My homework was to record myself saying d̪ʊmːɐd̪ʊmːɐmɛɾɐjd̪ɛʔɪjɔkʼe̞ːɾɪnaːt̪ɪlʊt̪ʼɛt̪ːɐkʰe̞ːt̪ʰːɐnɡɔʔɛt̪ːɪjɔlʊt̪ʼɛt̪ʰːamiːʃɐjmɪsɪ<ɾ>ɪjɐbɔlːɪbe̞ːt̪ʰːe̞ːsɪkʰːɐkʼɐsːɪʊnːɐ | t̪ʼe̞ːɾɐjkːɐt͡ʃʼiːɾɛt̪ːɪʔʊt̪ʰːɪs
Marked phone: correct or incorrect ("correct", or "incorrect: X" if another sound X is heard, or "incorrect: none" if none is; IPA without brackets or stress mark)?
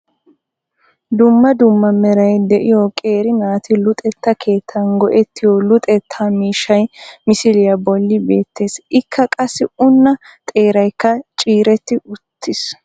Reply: incorrect: l